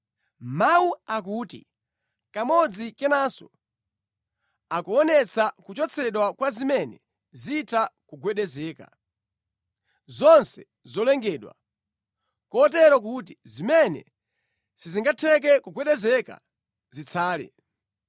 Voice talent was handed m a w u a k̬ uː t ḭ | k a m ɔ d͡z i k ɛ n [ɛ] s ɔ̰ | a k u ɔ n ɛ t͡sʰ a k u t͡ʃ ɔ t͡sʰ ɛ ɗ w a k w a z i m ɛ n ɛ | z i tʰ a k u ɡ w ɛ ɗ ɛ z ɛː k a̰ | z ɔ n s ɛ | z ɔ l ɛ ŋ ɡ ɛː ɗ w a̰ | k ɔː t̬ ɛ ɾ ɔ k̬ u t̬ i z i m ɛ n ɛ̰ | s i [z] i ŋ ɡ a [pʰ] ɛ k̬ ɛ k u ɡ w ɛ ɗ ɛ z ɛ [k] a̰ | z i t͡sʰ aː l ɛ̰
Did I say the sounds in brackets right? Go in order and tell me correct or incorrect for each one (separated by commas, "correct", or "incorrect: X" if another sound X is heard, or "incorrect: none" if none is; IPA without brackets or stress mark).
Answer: incorrect: a, correct, incorrect: tʰ, correct